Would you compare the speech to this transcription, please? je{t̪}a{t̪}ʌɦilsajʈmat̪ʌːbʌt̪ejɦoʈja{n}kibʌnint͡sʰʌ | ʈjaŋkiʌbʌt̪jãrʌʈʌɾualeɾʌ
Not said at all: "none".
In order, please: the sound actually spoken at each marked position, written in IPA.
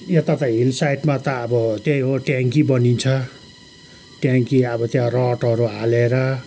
t̪, t̪, ŋ

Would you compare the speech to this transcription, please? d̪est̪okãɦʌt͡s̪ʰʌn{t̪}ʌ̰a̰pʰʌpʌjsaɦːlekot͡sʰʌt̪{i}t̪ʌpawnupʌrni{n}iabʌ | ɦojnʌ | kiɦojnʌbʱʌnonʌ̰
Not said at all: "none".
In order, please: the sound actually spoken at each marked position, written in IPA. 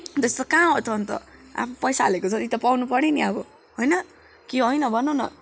t̪, i, n

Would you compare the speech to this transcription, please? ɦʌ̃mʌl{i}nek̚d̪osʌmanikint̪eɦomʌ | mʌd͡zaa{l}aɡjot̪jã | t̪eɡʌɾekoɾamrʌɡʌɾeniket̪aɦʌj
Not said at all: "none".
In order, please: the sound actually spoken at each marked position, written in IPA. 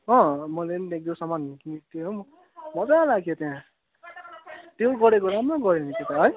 e, l

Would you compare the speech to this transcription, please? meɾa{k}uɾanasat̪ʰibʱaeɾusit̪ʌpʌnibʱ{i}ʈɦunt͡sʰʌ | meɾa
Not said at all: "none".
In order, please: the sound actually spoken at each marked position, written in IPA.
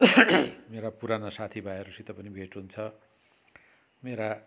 p, e

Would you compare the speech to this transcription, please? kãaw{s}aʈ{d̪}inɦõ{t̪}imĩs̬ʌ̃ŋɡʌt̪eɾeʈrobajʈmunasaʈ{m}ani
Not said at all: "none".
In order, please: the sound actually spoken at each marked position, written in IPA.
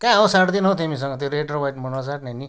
s, d̪, t̪, n

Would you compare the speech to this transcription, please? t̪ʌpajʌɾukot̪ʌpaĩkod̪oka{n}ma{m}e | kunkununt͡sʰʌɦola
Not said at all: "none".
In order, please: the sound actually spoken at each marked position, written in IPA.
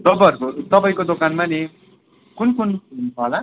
n, n

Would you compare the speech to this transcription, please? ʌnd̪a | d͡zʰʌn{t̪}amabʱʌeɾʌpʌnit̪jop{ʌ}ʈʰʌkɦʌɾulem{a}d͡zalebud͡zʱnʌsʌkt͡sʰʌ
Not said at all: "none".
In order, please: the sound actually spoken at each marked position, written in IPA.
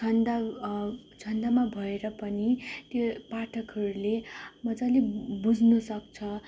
d̪, a, ʌ

